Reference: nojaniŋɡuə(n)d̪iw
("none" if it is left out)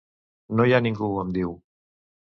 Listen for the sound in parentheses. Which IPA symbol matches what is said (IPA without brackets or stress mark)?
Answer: m